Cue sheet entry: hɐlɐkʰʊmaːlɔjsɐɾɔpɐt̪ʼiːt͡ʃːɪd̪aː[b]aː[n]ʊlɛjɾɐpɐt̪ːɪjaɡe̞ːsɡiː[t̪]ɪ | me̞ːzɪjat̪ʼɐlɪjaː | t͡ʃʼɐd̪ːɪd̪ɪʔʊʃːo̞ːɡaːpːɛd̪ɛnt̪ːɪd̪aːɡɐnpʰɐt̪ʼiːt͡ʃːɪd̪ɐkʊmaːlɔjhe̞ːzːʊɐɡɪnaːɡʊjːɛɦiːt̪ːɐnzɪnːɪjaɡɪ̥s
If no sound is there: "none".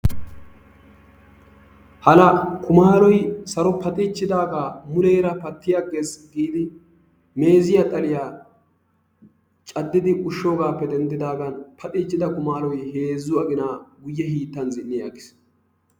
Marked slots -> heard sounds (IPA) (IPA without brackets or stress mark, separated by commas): ɡ, m, d̪